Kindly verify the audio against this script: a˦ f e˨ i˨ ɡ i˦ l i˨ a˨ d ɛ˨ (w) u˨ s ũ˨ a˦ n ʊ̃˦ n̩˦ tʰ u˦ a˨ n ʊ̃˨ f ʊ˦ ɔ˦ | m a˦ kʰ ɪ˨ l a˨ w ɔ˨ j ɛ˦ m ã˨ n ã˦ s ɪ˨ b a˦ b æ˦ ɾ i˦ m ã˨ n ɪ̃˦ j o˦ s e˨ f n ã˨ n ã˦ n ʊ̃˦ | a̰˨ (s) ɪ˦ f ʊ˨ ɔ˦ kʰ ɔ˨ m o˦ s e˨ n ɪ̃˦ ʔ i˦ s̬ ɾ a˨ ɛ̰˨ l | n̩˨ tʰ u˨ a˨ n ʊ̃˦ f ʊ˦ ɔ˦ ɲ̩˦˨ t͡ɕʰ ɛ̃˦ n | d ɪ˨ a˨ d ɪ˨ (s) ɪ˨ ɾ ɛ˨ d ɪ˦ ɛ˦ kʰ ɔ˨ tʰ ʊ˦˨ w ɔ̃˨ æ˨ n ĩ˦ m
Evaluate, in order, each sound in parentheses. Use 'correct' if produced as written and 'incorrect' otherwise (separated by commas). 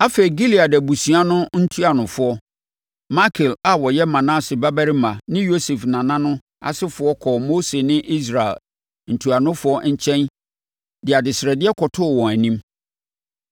incorrect, correct, correct